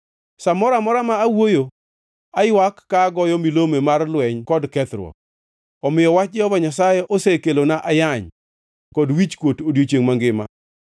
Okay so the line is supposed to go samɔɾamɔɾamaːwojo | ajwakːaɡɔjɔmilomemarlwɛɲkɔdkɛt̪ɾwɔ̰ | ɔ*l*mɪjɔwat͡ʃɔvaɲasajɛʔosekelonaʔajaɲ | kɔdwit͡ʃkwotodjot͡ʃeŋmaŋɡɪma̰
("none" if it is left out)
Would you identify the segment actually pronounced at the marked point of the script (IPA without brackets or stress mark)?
none